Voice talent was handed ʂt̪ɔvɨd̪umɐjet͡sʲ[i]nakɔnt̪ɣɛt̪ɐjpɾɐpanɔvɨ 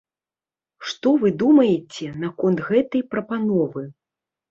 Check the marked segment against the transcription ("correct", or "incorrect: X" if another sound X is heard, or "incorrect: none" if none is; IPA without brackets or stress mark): incorrect: ɛ